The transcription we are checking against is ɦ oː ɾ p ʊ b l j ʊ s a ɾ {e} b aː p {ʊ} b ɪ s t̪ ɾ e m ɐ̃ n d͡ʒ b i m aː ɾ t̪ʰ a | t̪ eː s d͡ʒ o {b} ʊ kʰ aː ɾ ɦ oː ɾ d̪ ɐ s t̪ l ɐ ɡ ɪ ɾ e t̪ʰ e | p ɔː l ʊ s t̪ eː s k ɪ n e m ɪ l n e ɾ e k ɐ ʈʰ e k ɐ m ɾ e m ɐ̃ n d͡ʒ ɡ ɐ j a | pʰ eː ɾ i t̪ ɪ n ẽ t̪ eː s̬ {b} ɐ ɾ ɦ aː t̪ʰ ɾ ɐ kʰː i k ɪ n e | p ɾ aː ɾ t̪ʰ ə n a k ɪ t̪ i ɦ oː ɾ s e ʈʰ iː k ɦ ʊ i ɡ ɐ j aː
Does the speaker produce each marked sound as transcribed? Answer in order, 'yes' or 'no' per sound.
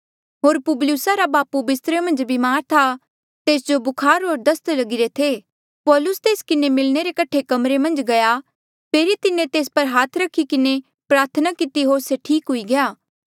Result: no, no, yes, no

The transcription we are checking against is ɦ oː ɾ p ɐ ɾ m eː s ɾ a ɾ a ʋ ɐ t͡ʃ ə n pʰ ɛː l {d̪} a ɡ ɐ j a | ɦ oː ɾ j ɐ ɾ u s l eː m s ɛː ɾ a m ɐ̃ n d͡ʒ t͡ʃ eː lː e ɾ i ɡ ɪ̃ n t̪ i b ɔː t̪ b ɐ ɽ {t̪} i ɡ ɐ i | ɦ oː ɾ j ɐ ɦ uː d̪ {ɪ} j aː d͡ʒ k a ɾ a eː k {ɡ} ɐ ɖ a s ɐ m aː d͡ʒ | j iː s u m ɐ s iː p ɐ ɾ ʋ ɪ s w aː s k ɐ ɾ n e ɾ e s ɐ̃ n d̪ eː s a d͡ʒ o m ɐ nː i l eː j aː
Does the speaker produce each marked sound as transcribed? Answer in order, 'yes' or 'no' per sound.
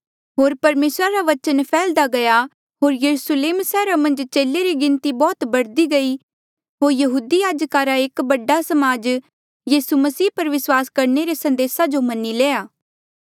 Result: yes, no, no, no

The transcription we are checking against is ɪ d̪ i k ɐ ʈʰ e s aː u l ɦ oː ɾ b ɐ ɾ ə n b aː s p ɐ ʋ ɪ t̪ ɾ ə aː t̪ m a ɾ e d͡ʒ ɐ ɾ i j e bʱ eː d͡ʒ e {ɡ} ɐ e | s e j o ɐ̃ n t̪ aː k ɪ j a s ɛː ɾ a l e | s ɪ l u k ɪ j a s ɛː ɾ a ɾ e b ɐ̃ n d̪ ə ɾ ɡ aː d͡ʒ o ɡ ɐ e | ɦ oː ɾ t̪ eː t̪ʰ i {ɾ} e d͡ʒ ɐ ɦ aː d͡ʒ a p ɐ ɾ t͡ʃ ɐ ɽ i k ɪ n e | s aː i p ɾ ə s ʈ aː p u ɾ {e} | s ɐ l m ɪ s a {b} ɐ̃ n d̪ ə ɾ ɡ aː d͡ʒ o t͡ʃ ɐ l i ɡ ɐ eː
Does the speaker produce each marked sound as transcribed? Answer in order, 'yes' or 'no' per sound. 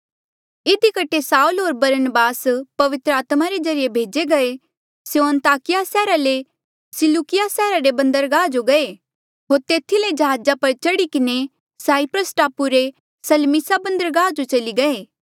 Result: yes, no, yes, yes

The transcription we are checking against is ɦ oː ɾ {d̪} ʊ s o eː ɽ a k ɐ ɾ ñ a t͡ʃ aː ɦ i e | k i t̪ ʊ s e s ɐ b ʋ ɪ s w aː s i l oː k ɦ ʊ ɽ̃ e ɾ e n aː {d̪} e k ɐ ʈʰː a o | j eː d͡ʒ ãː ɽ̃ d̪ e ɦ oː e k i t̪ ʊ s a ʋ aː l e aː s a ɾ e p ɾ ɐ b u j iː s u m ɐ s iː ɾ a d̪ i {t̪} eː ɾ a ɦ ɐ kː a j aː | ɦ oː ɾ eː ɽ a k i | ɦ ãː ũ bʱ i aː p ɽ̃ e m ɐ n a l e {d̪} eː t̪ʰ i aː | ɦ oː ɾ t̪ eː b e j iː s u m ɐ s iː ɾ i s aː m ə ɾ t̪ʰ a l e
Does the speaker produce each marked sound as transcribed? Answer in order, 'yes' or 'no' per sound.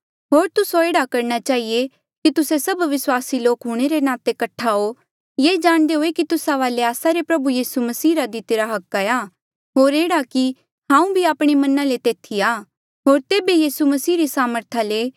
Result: no, no, yes, no

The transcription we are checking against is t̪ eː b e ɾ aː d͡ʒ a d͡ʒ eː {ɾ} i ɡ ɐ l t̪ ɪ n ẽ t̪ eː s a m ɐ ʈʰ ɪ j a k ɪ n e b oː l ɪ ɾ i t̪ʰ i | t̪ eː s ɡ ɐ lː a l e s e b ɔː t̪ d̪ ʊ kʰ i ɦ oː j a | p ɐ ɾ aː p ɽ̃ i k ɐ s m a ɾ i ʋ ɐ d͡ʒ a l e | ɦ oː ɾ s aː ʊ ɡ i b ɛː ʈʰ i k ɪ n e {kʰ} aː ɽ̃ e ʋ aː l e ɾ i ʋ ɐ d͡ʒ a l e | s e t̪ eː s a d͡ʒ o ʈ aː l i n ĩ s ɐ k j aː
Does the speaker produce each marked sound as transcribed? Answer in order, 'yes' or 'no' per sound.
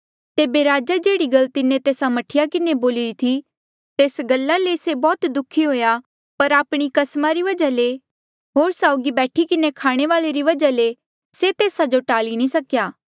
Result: no, yes

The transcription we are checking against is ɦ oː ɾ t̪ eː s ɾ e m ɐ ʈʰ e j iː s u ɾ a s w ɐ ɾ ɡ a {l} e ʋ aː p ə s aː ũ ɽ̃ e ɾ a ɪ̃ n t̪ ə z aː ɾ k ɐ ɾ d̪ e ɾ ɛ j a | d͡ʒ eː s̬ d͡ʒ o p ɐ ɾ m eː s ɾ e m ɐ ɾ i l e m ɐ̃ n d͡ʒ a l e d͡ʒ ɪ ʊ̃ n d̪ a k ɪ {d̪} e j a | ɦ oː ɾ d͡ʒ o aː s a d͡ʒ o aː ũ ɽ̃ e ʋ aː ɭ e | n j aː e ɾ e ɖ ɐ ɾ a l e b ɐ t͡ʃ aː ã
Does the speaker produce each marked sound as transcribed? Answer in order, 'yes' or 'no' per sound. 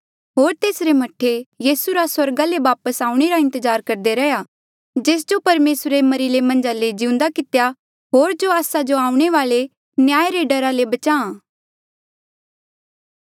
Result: yes, no

